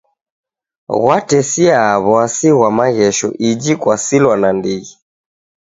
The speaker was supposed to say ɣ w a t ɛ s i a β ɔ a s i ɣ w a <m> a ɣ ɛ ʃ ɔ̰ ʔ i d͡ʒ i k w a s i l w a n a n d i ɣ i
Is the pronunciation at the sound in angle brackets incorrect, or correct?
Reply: correct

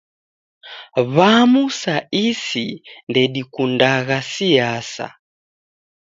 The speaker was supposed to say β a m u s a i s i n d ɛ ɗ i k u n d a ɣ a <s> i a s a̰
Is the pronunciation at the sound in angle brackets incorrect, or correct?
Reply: correct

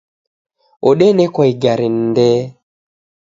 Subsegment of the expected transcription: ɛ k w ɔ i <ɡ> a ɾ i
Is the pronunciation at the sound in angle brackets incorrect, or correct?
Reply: correct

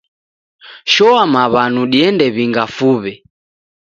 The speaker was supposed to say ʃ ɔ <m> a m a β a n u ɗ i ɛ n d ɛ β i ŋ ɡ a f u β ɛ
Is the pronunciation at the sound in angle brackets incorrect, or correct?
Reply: incorrect: none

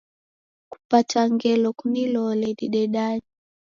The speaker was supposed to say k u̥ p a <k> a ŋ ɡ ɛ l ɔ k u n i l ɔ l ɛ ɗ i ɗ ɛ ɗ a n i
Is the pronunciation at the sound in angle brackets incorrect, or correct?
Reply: incorrect: t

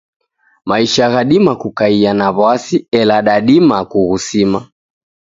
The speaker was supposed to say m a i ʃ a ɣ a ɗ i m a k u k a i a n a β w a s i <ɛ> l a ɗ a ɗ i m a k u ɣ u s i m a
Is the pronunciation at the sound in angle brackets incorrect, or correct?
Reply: correct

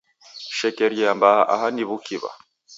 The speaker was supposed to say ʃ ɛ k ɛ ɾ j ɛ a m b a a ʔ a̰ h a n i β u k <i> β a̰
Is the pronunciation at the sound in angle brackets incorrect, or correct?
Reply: correct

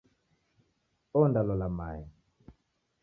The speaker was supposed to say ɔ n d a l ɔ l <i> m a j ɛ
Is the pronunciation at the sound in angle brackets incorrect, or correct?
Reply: incorrect: a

